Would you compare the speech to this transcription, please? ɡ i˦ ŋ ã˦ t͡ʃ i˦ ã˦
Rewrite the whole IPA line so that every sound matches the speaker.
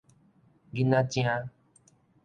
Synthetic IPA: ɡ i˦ n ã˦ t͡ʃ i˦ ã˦